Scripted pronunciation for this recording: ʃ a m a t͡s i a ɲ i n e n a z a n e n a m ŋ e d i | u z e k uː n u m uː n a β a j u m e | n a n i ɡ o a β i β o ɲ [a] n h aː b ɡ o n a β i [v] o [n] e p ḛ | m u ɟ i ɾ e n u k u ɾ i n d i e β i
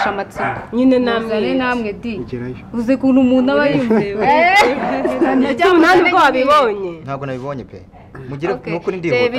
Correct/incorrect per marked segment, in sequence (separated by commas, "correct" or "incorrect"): incorrect, incorrect, incorrect